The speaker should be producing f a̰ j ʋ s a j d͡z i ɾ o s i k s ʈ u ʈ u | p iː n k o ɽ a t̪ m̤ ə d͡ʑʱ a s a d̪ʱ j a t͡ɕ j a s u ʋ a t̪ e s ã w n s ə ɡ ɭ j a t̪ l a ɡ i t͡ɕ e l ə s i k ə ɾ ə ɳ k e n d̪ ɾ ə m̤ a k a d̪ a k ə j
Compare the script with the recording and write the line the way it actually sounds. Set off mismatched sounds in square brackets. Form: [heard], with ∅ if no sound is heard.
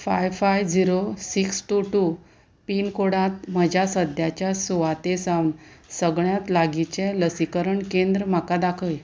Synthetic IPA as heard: f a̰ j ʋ [f] a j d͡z i ɾ o s i k s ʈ u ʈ u | p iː n k o ɽ a t̪ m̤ ə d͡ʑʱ a s [ə] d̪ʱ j a t͡ɕ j a s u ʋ a t̪ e s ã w n s ə ɡ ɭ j a t̪ l a ɡ i t͡ɕ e l ə s i k ə ɾ ə ɳ k e n d̪ ɾ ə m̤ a k a d̪ a [kʰ] ə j